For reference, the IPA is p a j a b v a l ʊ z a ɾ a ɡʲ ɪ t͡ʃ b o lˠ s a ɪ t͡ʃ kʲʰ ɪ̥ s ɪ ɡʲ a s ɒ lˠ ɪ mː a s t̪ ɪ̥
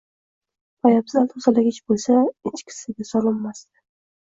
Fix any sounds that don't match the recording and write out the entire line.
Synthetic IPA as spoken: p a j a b z a l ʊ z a l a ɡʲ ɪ t͡ʃ b o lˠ s a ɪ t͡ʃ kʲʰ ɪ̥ s ɪ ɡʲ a s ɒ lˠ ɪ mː a s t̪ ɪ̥